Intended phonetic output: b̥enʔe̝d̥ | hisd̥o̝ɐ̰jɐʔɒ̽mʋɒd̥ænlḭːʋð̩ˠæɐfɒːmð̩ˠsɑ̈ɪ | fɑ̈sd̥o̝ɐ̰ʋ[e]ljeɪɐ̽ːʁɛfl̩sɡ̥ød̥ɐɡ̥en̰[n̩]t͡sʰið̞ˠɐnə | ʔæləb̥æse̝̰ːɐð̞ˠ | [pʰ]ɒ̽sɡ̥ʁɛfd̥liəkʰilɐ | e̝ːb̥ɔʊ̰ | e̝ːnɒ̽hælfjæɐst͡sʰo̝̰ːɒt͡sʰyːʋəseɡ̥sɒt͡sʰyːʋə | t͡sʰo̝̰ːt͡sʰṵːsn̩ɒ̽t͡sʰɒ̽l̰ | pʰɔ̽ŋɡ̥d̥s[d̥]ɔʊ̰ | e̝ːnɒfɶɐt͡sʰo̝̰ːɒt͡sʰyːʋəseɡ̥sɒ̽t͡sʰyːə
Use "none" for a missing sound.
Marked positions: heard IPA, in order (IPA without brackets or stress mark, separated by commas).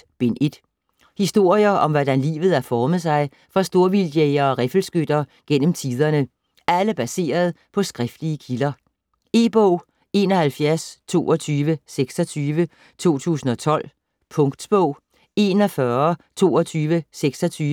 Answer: i, m̩, pʰ, b̥